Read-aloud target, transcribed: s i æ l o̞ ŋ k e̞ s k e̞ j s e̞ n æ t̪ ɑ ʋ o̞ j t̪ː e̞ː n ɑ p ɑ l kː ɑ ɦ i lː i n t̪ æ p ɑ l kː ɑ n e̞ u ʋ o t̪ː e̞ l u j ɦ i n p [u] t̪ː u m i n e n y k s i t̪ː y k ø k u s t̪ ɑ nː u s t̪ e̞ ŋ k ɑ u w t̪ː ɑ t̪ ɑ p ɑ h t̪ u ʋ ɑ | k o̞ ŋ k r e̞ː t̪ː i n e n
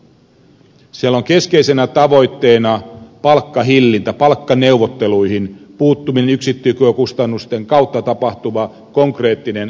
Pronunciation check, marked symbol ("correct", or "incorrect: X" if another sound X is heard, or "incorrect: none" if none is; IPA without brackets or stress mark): incorrect: uː